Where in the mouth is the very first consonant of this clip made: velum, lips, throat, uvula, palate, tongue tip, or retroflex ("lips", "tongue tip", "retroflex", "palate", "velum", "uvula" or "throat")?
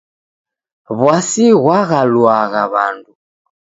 lips